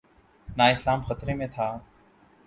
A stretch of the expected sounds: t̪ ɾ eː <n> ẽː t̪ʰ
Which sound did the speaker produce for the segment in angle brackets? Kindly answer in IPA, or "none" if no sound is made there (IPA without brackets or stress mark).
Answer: m